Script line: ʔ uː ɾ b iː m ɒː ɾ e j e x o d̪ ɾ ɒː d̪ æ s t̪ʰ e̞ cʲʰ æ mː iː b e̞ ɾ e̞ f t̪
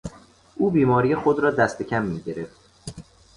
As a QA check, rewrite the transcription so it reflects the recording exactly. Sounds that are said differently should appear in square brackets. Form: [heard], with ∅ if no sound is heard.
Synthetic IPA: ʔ uː [∅] b iː m ɒː ɾ [i] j e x o d̪ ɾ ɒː d̪ æ s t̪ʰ e̞ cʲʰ æ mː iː [ɟ] e̞ ɾ e̞ f t̪